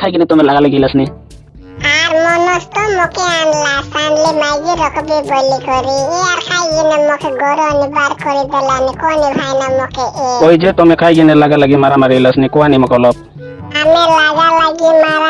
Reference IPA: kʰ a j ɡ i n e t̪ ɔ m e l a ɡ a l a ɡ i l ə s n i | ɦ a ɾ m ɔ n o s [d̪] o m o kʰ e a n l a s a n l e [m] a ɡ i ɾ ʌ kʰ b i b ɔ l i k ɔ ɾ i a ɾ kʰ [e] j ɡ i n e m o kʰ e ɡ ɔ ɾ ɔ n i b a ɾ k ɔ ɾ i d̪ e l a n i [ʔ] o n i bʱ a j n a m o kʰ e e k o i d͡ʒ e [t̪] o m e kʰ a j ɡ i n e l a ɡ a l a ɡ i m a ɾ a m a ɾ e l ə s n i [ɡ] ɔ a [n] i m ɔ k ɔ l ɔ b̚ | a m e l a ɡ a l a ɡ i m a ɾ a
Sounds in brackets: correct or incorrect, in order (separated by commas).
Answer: incorrect, correct, incorrect, incorrect, correct, incorrect, correct